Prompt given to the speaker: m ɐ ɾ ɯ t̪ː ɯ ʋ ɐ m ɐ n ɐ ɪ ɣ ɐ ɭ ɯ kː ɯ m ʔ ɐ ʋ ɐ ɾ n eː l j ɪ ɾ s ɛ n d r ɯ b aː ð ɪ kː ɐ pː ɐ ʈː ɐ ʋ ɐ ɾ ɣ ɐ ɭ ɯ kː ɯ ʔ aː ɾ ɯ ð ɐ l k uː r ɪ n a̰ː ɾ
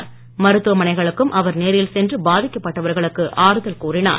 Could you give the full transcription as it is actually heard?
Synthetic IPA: m ɐ ɾ ɯ t̪ː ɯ ʋ ɐ m ɐ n ɐ ɪ ɣ ɐ ɭ ɯ kː ɯ m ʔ ɐ ʋ ɐ ɾ n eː ɾ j ɪ l s ɛ n d r ɯ b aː ð ɪ kː ɐ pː ɐ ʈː ɐ ʋ ɐ ɾ ɣ ɐ ɭ ɯ kː ɯ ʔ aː ɾ ɯ ð ɐ l k uː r ɪ n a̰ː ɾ